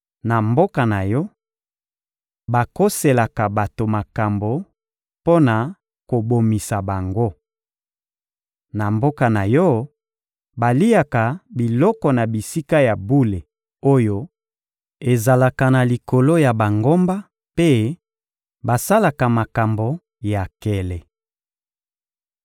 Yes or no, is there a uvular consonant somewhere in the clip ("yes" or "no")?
no